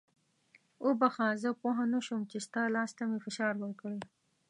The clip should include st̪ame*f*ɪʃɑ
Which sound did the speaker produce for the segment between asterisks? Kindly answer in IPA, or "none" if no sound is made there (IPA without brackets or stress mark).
f